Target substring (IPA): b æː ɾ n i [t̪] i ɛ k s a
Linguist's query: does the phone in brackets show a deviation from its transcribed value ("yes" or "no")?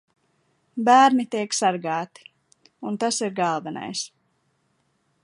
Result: no